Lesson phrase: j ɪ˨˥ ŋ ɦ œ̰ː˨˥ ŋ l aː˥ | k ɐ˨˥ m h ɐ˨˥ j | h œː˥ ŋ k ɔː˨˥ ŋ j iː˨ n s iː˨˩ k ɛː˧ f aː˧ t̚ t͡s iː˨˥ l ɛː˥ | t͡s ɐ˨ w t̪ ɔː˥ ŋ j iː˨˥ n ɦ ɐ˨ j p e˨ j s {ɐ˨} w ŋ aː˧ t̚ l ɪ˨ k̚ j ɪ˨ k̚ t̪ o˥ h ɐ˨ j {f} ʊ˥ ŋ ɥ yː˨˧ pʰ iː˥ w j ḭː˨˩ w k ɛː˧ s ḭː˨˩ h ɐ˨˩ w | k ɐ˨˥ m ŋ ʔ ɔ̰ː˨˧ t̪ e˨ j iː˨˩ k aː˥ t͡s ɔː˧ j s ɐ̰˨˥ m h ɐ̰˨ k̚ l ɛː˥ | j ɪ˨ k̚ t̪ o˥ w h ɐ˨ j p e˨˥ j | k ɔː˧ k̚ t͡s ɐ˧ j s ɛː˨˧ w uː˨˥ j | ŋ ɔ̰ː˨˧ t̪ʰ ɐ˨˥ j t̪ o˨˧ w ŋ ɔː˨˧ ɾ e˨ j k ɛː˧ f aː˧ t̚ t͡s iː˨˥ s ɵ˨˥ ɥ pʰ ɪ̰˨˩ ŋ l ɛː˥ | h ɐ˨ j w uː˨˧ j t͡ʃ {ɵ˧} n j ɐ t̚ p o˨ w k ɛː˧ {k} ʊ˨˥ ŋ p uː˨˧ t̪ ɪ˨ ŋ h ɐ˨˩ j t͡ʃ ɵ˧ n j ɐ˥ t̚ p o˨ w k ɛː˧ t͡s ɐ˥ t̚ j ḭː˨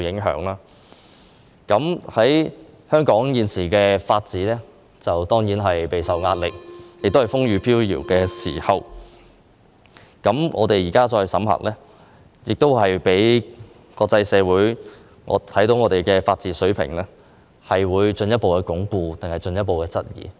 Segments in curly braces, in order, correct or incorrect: correct, correct, correct, correct

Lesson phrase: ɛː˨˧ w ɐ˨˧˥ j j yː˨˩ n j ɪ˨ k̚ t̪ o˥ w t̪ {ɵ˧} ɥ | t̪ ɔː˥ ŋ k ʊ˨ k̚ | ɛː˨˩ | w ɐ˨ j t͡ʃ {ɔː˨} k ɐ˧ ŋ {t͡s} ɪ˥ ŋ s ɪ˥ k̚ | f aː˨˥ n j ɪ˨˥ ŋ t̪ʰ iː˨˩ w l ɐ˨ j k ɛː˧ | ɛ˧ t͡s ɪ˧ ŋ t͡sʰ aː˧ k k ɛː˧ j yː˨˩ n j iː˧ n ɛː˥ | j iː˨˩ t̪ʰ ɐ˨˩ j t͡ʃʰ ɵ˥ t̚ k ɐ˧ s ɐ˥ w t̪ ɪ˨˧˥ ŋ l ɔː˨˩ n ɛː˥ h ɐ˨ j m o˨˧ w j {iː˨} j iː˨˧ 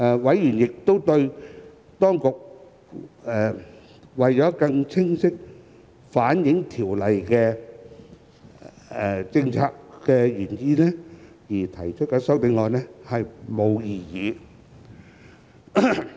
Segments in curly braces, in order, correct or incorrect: correct, incorrect: ɔː˨˥, incorrect: t͡sʰ, correct

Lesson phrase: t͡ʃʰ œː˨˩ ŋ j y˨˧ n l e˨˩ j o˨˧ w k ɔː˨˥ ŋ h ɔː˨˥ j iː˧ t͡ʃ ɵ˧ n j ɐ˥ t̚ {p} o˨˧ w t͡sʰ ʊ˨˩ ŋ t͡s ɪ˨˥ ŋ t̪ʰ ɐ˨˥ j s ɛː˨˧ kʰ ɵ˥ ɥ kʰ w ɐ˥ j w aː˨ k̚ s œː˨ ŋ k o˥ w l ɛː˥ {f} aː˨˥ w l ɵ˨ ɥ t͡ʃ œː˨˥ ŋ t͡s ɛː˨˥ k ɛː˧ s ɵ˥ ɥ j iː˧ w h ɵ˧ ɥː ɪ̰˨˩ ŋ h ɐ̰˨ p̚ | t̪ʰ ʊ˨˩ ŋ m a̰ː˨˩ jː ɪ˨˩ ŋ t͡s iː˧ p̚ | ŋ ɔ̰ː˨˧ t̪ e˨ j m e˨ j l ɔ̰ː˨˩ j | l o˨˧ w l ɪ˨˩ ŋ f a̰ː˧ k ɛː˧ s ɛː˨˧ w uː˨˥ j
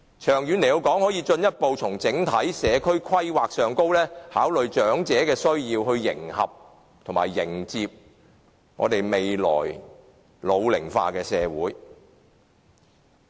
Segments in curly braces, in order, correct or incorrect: correct, incorrect: h

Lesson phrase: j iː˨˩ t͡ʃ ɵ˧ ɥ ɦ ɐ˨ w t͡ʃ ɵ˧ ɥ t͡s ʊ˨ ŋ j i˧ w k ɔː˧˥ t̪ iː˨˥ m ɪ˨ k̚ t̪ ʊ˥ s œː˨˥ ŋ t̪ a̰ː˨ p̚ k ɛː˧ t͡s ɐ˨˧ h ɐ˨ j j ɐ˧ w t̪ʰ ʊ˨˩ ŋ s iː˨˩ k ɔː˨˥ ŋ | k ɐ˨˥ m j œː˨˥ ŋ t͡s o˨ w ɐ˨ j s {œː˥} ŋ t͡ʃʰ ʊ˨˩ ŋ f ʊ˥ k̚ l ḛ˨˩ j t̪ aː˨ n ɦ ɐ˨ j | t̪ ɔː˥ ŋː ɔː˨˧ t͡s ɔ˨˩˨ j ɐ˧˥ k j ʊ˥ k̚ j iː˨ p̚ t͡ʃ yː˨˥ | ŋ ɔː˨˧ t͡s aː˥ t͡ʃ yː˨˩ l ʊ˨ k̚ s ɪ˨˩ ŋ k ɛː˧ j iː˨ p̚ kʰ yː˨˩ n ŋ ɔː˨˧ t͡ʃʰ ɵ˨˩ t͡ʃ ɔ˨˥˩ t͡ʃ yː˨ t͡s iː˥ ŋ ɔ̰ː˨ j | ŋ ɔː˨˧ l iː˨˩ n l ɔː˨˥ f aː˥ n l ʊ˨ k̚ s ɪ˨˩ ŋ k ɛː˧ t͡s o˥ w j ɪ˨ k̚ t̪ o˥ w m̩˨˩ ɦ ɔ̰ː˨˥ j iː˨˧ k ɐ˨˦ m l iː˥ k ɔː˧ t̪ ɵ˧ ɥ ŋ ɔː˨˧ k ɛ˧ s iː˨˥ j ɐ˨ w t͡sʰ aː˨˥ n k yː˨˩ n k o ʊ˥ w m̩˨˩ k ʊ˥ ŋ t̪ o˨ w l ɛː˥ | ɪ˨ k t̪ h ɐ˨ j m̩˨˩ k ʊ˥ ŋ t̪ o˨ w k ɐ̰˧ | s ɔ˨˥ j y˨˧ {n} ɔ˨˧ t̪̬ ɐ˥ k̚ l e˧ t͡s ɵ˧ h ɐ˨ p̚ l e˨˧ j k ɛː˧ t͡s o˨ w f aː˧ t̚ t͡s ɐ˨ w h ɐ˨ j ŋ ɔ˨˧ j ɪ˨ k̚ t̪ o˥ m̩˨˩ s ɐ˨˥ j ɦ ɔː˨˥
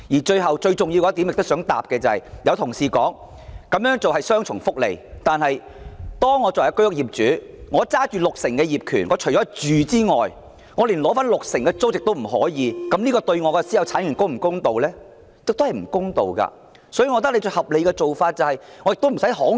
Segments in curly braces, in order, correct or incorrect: correct, incorrect: ŋ

